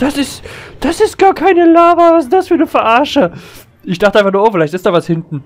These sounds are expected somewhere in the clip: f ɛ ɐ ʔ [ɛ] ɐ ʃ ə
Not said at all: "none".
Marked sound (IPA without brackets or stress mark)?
a